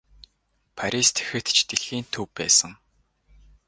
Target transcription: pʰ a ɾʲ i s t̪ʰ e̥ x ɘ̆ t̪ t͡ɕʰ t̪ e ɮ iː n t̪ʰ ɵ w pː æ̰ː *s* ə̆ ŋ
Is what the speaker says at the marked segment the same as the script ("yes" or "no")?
yes